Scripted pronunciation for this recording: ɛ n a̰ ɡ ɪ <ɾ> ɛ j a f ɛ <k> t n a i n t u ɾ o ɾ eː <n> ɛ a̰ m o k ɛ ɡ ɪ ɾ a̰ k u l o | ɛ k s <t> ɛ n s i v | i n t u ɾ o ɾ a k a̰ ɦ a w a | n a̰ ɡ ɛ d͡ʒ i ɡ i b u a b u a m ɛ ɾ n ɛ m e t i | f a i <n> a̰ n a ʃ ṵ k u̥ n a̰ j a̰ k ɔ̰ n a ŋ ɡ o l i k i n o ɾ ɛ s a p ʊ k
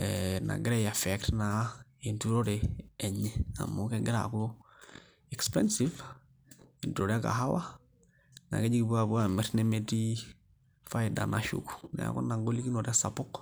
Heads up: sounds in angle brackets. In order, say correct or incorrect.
correct, correct, incorrect, incorrect, incorrect

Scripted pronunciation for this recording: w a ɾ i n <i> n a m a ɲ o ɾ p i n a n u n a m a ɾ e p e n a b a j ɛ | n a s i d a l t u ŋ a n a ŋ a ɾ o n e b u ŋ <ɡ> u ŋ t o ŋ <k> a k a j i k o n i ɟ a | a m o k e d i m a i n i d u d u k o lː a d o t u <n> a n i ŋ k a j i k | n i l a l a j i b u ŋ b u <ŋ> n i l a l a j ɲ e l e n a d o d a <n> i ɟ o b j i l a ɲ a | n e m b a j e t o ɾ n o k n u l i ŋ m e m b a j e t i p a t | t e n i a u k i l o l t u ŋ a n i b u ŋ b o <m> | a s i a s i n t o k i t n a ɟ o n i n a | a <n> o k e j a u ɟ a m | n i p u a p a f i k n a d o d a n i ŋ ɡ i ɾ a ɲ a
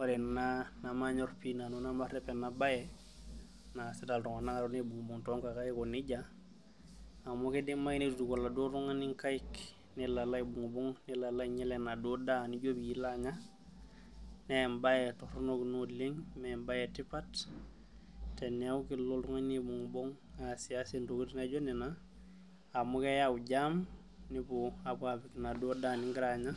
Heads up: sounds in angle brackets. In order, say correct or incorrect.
incorrect, incorrect, correct, incorrect, correct, correct, incorrect, incorrect

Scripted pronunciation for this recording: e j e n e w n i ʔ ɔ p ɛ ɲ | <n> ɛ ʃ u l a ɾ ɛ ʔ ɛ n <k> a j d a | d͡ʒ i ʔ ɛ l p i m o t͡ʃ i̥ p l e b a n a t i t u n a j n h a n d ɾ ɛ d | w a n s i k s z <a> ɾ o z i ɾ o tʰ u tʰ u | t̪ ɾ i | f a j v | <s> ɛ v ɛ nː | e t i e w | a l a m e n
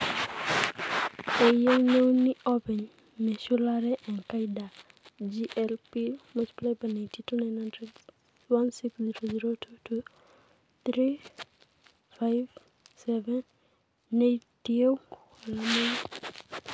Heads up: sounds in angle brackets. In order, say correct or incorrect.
incorrect, correct, incorrect, correct

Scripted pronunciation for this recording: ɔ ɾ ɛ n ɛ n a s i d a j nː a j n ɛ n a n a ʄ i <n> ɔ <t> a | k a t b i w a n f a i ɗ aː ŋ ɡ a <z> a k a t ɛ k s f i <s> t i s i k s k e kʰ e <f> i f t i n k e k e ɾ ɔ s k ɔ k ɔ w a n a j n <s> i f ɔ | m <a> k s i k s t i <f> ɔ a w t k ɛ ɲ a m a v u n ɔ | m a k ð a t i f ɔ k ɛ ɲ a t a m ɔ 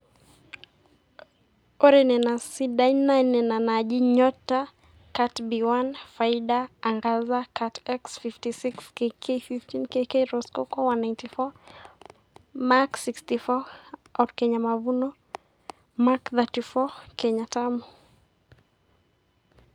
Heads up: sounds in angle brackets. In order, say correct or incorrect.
incorrect, correct, correct, incorrect, correct, incorrect, correct, correct

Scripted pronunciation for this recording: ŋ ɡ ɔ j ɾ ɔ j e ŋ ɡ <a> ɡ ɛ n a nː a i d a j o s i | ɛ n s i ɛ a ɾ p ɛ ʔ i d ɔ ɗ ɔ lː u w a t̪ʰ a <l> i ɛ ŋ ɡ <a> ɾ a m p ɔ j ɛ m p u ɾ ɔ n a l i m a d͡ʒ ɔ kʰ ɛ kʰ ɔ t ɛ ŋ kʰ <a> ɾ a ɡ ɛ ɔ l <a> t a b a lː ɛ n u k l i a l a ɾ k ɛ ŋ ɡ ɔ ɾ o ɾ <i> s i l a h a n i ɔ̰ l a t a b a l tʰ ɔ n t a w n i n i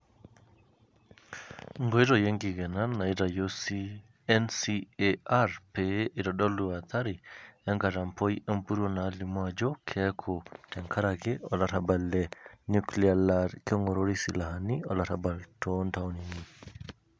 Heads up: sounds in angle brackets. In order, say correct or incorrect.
incorrect, incorrect, correct, correct, correct, correct

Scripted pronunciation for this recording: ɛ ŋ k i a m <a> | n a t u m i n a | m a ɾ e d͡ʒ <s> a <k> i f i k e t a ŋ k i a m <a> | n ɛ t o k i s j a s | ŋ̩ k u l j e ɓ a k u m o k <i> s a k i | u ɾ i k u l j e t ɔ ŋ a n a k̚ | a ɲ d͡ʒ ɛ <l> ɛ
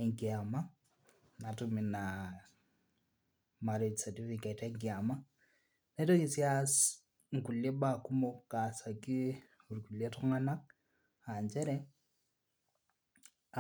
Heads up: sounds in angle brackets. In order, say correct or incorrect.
correct, correct, incorrect, correct, incorrect, incorrect

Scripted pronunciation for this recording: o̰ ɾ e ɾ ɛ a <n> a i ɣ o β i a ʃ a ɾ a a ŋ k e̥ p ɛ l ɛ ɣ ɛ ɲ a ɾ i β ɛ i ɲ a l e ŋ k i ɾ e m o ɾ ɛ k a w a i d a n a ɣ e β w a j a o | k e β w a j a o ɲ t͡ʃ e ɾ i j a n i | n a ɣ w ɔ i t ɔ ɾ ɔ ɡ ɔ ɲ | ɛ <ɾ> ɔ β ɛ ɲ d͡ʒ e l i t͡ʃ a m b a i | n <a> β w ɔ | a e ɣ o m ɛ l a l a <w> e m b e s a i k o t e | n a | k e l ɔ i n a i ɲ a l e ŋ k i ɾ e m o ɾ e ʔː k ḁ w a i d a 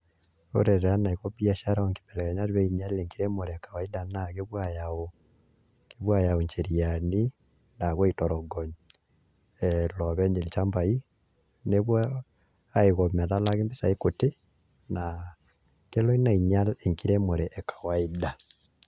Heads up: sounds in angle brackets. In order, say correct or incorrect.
correct, incorrect, incorrect, incorrect

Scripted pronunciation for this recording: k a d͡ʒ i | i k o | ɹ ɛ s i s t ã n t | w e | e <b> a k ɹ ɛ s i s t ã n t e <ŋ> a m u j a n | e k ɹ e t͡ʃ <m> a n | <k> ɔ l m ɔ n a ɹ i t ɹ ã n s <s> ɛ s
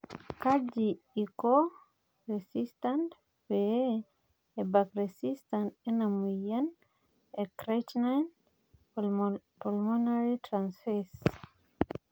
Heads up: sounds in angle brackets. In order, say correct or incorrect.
correct, incorrect, incorrect, incorrect, incorrect

